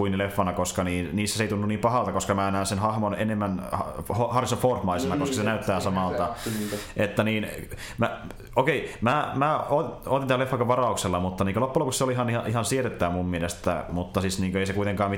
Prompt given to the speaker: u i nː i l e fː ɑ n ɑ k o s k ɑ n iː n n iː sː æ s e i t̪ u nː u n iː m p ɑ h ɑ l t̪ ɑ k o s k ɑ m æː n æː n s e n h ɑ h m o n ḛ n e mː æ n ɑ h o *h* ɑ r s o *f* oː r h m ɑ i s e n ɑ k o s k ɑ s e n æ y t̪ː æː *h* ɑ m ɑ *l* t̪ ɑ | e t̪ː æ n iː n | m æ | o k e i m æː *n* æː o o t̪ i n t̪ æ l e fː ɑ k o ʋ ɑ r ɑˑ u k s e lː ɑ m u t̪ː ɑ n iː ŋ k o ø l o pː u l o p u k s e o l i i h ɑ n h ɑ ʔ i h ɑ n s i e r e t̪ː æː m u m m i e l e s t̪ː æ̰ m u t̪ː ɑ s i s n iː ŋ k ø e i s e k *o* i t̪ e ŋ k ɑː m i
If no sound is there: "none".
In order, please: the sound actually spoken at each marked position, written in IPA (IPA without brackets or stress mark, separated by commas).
h, f, s, l, m, u